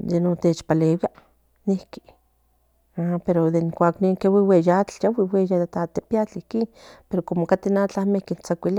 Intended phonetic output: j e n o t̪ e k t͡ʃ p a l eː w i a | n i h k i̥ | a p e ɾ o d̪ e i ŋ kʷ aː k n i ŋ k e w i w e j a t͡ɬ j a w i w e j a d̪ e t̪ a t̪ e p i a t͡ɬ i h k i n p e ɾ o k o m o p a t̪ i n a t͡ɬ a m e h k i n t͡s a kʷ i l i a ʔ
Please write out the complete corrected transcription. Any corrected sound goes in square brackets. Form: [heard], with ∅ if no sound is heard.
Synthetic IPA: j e n o t̪ e [∅] t͡ʃ p a l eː w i a | n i h k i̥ | a p e ɾ o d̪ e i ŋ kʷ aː k n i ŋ k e w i w e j a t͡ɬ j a w i w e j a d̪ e t̪ a t̪ e p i a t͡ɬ i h k i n p e ɾ o k o m o [k] a t̪ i n a t͡ɬ a m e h k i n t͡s a kʷ i l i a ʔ